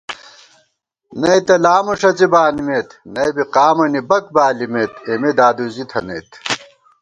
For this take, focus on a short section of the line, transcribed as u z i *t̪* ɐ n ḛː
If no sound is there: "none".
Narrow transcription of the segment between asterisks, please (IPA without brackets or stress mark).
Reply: t̪ʰ